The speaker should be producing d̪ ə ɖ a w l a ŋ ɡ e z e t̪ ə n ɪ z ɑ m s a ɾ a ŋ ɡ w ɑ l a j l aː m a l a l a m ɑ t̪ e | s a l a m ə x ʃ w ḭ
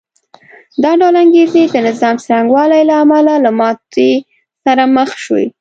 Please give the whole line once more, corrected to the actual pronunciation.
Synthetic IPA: d̪ ɑ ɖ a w l a ŋ ɡ e z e d̪ ə n ɪ z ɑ m s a ɾ a ŋ ɡ w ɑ l a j l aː m a l a l a m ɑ t̪ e | s a ɾ a m ə x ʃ w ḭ